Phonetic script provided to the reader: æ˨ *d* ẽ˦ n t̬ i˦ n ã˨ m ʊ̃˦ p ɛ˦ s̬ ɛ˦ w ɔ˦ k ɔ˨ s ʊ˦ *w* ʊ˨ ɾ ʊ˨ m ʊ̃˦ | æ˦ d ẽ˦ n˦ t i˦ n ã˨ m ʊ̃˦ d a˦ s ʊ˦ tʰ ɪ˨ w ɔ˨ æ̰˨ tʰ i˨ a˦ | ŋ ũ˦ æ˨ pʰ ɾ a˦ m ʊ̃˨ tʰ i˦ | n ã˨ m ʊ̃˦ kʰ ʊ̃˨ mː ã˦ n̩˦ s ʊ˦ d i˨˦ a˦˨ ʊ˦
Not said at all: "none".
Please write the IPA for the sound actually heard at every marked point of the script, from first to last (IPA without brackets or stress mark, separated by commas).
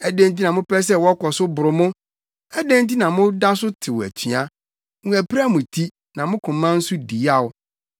d, b